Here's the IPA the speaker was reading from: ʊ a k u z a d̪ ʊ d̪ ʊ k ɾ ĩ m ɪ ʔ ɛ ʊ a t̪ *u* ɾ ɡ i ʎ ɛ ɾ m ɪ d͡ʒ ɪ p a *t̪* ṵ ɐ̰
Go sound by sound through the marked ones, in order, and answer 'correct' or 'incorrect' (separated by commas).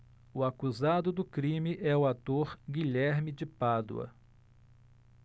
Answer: incorrect, incorrect